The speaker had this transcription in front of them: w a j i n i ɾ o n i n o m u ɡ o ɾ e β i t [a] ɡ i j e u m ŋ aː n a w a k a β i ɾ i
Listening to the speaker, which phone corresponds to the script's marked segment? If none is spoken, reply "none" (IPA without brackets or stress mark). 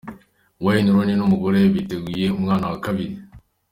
e